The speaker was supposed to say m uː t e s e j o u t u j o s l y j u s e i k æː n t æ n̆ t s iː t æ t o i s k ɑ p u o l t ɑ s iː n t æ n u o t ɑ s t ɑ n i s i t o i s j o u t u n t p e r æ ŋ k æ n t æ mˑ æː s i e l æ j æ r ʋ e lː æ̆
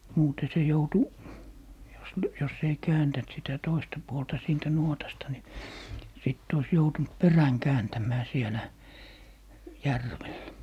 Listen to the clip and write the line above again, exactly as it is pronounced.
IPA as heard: m uː t e s e j o u t u j o s l y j o s e i k æː n t æ n̆ t s i t æ t o i s t ɑ p u o l t ɑ s iː n t æ n u o t ɑ s t ɑ n i s i t o i s j o u t u n t p e r æ ŋ k æː n t æ mˑ æː s i e l æ j æ r ʋ e lː æ̆

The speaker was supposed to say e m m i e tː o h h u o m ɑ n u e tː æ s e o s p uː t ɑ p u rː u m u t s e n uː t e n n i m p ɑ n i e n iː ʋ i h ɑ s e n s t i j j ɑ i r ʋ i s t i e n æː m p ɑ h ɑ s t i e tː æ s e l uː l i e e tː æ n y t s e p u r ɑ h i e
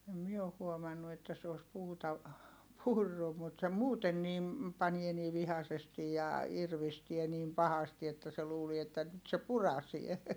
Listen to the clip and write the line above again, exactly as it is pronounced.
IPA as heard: e m m i e o h h u o m ɑ nː u e tː æ s e o s p uː t ɑ p u rː u m u t s e m uː t e n n i m p ɑ n i e n iː ʋ i h ɑ s e s t i j j ɑ i r ʋ i s t i e n iː m p ɑ h ɑ s t i e tː æ s e l uː l i e e tː æ n y t s e p u r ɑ s i e

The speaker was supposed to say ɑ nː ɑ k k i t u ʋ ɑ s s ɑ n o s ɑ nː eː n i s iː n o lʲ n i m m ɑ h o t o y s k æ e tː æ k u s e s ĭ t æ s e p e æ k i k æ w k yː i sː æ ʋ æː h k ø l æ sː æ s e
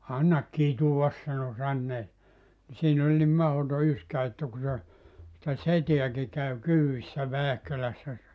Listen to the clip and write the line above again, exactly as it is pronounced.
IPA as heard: ɑ nː ɑ k k i t u ʋ ɑ s s ɑ n o s ɑ nː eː n i s iː n o lʲ n i m m ɑ h o t o y s k æ e tː æ k u s e s ĭ t æ s e t e æ k i k æ w k yː i sː æ ʋ æː h k ø l æ sː æ s e

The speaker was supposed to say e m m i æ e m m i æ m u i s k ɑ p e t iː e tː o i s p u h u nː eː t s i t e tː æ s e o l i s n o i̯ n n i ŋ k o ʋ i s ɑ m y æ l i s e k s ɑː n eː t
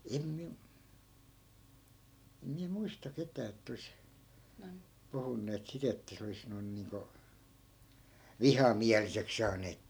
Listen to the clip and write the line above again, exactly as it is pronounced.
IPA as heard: e m m i æ e m m i æ m u i s t ɑ k e t æː e tː o i s p u h u nː eː t s i t e tː æ s e o l i s n o i̯ n n iː ŋ k o ʋ i h ɑ m i æ l i s e k s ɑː n eː t

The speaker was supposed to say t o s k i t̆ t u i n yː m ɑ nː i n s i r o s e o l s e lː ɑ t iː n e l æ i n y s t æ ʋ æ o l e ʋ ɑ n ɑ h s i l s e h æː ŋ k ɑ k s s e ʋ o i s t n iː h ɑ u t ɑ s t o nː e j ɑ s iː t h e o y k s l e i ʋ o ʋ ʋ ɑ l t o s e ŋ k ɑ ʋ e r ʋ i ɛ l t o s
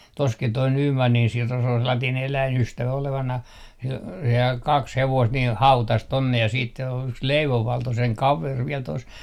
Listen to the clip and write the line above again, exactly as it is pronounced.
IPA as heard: t o s k i t̆ t o i n yː m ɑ nː i n s i r o s e o l s e lː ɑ t iː n e l æ i n y s t æ ʋ æ o l e ʋ ɑ n ɑ h s i l s e h æː ŋ k ɑ k s h e ʋ o i s t n iː h ɑ u t ɑ s t o nː e j ɑ s iː t s e o y k s l e i ʋ o ʋ ʋ ɑ l t o s e ŋ k ɑ ʋ e r ʋ i ɛ l t o s

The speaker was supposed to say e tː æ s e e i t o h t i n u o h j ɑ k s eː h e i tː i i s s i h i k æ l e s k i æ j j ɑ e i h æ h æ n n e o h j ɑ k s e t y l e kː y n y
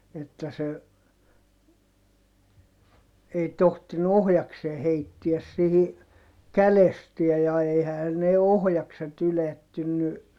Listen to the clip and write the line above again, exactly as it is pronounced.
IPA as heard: e tː æ s e e i t o h t i n u o h j ɑ k s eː h e i tː i æ s s i h i k æ l e s t i æ j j ɑ e i h æ h æ n n e o h j ɑ k s e t y l e tː y nː y

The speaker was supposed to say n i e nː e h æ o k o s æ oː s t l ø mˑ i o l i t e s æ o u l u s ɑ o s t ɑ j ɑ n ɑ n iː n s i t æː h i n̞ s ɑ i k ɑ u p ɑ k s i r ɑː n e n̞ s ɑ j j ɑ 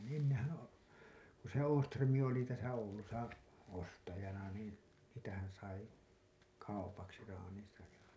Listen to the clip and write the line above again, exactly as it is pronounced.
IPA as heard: n i e nː e h æ o k u s e oː s t r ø mˑ i o l i t æ s æ o u l u s ɑ o s t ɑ j ɑ n ɑ n iː n s i t æ h æ n̞ s ɑ i k ɑ u p ɑ k s i r ɑː n i n̞ s ɑ j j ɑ

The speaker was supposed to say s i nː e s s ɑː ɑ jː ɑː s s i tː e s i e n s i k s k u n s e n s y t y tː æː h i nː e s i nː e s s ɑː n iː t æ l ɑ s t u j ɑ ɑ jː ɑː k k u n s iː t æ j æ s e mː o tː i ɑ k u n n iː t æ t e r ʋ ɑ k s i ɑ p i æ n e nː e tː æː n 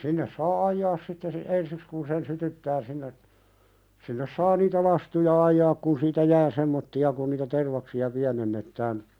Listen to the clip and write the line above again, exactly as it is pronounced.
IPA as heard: s i nː e s s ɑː ɑ jː ɑː s s i tː e s i e n s i k s k u n s e n s y t y tː æː s i nː e s i nː e s s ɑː n iː t æ l ɑ s t u j ɑ ɑ jː ɑː k k u n s iː t æ j æː s e mː o tː i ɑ k u n n iː t æ t e r ʋ ɑ k s i ɑ p i æ n e nː e tː æː n

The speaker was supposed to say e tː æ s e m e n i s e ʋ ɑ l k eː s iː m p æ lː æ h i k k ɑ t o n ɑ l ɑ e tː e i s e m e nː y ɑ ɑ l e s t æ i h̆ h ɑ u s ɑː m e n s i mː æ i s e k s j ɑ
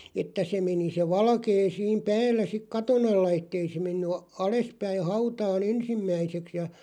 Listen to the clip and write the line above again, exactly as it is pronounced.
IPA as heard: e tː æ s e m e n i s e ʋ ɑ l k eː s iː m p æː lː æ s i k k ɑ t o n ɑ lː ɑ e tː e i s e m e nː y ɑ ɑ l e s p æ i h̆ h ɑ u t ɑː n e n s i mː æ i s e k s j ɑ

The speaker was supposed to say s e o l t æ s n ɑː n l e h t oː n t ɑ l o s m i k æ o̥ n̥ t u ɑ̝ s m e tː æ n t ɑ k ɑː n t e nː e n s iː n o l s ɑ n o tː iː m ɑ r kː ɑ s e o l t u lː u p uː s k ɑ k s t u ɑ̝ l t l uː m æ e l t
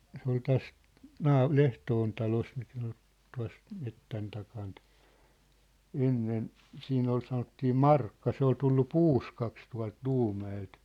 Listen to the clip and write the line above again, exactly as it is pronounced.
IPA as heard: s e o l t æ s n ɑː l e h t oː n t ɑ l o s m i k æ o̥ n̥ t u ɑ̝ s m e tː æ n t ɑ k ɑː n t e nː e n s iː n o l s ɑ n o tː iː m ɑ r kː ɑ s e o l t u lː u p uː s k ɑ k s t u ɑ̝ l t l uː m æ e l t

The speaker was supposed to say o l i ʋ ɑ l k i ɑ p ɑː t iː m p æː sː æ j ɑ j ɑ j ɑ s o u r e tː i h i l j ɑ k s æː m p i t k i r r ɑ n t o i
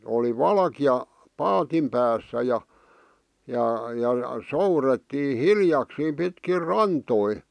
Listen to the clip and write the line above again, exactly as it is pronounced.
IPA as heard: o l i ʋ ɑ l k i ɑ p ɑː t i m p æː sː æ j ɑ j ɑ j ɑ s o u r e tː iː h i l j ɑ k s iː m p i t k i r r ɑ n t o i

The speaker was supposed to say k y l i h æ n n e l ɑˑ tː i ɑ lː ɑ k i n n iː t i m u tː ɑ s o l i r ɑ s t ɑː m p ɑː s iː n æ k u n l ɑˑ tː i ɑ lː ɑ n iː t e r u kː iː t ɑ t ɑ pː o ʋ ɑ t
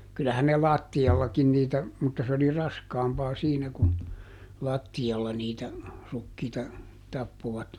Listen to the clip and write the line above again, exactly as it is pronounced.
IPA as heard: k y l æ h æ n n e l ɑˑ tː i ɑ lː ɑ k i n n iː t æ m u tː ɑ s o l i r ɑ s k ɑː m p ɑː s iː n æ k u n l ɑˑ tː i ɑ lː ɑ n iː t æ r u kː iː t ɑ t ɑ pː o ʋ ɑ t

